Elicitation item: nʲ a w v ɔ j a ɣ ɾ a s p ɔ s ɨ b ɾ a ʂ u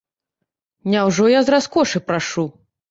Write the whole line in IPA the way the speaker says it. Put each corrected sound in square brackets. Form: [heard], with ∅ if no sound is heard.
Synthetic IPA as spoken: nʲ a w [ʐ] ɔ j a [z] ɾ a s [k] ɔ [ʂ] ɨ [p] ɾ a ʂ u